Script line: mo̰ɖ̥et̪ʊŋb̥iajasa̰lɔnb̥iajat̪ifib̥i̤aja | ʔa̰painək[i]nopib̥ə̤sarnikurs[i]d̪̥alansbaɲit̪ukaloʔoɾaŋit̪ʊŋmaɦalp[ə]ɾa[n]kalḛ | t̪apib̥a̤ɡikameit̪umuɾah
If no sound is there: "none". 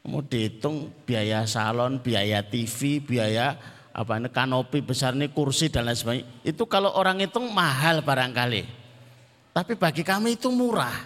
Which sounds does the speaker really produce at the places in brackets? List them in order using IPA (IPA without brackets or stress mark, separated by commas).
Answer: a, i, a, ŋ